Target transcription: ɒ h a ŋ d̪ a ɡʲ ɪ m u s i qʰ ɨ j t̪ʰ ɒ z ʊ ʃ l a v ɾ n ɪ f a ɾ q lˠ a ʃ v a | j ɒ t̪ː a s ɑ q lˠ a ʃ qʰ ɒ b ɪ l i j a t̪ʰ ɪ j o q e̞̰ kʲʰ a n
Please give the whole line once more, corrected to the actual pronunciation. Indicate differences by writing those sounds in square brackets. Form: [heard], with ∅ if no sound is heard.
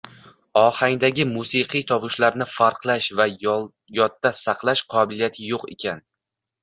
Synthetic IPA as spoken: ɒ h a ŋ d̪ a ɡʲ ɪ m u s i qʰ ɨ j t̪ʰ ɒ [v] ʊ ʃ l a [∅] ɾ n ɪ f a ɾ q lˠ a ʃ v a | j ɒ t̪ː a s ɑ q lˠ a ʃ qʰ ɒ b ɪ l i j a t̪ʰ ɪ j o q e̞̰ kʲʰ a n